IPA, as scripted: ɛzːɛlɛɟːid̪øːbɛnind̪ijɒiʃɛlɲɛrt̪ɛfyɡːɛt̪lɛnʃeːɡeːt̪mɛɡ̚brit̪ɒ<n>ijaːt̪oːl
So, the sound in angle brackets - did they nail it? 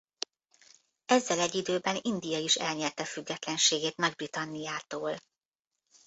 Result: no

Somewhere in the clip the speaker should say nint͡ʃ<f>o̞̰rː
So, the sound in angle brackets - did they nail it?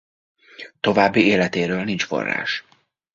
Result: yes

